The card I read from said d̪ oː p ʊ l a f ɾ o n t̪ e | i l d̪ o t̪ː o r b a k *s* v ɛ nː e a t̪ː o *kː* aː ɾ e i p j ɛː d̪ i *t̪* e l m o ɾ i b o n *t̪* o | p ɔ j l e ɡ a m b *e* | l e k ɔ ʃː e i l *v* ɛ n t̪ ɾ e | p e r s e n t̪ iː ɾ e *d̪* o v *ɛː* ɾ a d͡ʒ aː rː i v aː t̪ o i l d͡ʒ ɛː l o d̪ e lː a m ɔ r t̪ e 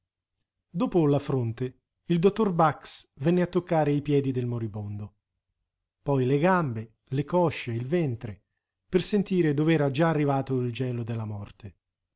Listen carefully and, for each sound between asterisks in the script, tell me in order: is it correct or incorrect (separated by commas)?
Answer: correct, correct, incorrect, incorrect, correct, correct, correct, correct